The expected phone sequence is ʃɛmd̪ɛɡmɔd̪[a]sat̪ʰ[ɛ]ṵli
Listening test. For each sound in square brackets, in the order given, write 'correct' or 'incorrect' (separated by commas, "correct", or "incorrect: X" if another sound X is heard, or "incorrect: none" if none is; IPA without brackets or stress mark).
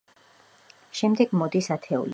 incorrect: i, correct